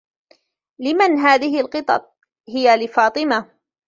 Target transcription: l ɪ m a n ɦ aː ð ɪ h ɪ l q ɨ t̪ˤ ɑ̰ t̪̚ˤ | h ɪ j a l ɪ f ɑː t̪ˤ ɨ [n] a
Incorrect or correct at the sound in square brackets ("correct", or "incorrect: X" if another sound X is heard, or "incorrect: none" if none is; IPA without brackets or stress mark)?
incorrect: m